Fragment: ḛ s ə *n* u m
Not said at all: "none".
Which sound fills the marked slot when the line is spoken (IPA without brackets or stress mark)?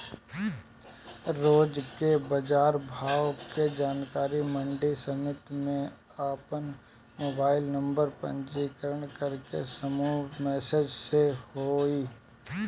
m